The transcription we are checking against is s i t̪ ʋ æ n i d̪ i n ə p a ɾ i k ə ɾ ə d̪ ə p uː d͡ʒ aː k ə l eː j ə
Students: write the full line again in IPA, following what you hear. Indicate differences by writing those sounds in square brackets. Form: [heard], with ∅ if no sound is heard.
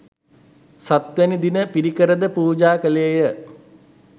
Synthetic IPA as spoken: s [a] t̪ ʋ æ n i d̪ i n ə p [i] ɾ i k ə ɾ ə d̪ ə p uː d͡ʒ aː k ə l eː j ə